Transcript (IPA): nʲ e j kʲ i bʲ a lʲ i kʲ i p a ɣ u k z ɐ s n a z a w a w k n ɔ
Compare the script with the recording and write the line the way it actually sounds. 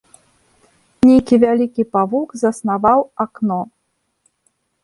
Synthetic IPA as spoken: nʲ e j kʲ i vʲ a lʲ i kʲ i p a v u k z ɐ s n a v a w a k n ɔ